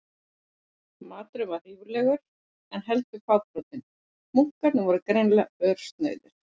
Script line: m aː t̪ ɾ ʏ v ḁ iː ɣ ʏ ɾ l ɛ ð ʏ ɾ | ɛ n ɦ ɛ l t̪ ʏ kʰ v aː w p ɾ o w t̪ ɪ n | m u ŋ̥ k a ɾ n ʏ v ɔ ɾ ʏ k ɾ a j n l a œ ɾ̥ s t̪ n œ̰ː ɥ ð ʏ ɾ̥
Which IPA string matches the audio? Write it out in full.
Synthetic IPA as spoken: m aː t̪ ɾ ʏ v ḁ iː v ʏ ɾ l ɛ ɣ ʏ ɾ | ɛ n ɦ ɛ l t̪ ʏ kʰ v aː w p ɾ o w t̪ ɪ n | m u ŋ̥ k a ɾ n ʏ v ɔ ɾ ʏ k ɾ e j n l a œ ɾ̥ s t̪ n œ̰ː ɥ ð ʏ ɾ̥